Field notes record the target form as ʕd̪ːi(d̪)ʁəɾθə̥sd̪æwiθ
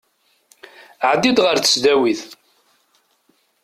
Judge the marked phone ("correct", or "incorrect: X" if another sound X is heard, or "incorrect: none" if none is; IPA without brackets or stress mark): correct